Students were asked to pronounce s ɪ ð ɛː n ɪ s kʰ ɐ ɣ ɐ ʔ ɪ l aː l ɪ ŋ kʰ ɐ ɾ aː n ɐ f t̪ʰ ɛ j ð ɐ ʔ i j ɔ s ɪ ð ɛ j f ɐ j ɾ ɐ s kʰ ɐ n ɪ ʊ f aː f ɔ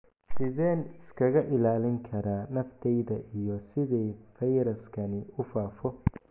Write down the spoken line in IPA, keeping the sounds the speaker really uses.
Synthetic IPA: s ɪ ð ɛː n ɪ s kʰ ɐ ɣ ɐ ʔ ɪ l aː l ɪ ŋ kʰ ɐ ɾ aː n ɐ f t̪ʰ ɛ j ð ɐ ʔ i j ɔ s ɪ ð ɛ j f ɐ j ɾ ɐ s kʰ ɐ n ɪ ʊ f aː f ɔ